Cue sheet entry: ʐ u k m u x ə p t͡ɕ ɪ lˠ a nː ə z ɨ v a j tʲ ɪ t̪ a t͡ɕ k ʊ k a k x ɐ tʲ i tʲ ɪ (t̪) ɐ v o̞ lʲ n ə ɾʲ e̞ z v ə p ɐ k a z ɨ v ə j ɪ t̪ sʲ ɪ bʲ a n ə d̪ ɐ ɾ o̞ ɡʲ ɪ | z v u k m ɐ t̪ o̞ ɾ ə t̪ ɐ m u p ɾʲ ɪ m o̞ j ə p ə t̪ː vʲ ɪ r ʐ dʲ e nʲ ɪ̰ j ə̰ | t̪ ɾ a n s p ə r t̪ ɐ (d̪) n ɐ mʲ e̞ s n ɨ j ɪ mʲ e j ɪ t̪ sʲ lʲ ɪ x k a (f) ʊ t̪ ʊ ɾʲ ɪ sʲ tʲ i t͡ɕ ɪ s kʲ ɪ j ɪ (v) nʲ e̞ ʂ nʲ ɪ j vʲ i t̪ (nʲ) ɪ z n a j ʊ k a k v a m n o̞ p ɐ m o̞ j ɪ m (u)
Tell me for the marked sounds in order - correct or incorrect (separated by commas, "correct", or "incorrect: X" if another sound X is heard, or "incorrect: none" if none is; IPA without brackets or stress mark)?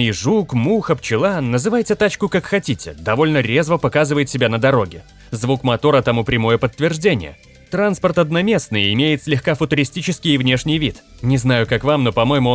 incorrect: d̪, correct, correct, correct, correct, incorrect: ʊ